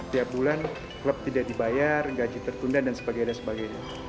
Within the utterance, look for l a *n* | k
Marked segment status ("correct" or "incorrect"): correct